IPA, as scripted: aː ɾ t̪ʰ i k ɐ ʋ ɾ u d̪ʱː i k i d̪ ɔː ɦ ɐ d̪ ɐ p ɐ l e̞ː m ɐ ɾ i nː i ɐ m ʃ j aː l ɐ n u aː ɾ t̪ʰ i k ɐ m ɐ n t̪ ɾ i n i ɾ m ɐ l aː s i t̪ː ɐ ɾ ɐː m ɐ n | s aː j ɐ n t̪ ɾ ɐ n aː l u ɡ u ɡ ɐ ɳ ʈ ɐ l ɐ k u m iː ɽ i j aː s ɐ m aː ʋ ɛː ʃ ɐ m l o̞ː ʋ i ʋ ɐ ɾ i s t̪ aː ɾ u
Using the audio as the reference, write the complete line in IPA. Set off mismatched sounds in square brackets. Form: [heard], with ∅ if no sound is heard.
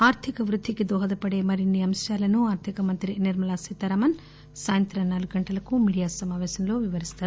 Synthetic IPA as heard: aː ɾ t̪ʰ i k ɐ ʋ ɾ u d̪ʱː i k i d̪ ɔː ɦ ɐ d̪ ɐ p ɐ [ɽ] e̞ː m ɐ ɾ i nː i ɐ m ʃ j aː l ɐ n u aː ɾ t̪ʰ i k ɐ m ɐ n t̪ ɾ i n i ɾ m ɐ l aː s i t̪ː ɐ ɾ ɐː m ɐ n | s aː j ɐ n t̪ ɾ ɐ n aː l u ɡ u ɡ ɐ ɳ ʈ ɐ l ɐ k u m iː ɽ i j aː s ɐ m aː ʋ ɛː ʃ ɐ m l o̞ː ʋ i ʋ ɐ ɾ i s t̪ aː ɾ u